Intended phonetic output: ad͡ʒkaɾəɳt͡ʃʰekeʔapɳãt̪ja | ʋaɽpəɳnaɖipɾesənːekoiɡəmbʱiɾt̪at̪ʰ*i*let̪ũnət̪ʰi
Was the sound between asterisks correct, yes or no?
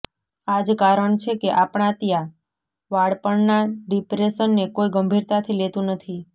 yes